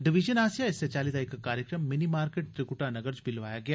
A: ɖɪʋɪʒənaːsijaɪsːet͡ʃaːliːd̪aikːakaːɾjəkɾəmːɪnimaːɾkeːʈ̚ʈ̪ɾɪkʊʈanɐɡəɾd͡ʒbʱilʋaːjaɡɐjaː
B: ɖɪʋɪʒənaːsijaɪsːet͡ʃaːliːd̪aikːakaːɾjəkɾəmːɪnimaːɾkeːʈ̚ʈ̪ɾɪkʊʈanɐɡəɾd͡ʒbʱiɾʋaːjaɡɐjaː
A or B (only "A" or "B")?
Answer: A